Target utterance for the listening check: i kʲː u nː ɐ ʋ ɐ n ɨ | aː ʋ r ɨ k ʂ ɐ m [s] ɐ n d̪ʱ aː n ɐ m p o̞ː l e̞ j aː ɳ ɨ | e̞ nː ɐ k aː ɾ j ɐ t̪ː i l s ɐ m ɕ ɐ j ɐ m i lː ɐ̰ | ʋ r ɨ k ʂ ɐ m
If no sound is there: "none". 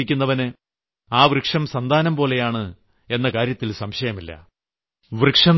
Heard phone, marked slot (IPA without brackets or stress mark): s